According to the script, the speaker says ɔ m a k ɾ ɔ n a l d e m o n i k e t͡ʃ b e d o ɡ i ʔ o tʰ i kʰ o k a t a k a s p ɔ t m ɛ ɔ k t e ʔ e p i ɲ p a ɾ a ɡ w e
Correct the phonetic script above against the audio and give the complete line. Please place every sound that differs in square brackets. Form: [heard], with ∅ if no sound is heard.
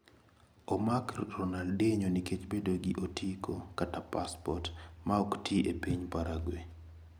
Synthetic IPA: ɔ m a k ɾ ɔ n a l d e [ɲ] o n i k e t͡ʃ b e d o ɡ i ʔ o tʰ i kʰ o k a t a [p] a s p ɔ t m [a] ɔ k t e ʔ e p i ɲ p a ɾ a ɡ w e